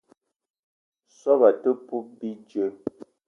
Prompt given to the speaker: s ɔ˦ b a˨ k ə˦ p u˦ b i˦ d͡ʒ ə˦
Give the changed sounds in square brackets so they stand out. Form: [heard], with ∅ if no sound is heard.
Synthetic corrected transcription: s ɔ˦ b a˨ [t] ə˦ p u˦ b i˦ d͡ʒ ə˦